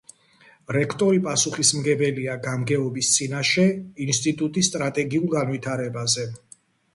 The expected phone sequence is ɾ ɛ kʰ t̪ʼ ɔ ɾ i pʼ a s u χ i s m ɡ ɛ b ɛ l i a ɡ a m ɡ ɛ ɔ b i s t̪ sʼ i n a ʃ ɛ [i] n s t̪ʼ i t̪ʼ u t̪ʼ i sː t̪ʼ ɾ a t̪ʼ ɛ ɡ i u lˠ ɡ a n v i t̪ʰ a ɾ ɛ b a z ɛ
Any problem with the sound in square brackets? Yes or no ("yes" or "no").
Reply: no